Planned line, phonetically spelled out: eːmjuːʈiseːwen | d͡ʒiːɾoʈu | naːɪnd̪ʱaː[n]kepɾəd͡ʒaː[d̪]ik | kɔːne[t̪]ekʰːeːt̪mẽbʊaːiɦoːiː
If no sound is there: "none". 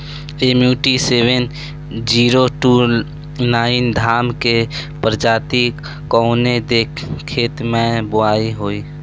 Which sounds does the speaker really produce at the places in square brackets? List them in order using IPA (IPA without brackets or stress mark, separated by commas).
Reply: m, t̪, d̪